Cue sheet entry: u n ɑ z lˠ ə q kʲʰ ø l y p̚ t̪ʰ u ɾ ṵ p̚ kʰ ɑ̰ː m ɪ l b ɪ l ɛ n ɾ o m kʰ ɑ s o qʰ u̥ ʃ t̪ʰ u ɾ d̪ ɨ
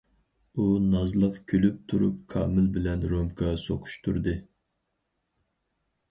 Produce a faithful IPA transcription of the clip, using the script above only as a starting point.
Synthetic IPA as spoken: u n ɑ z lˠ ə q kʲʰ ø l y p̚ t̪ʰ u ɾ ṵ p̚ kʰ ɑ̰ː m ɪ l b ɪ l ɛ n ɾ o m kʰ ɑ s o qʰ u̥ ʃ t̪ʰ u ɾ d̪ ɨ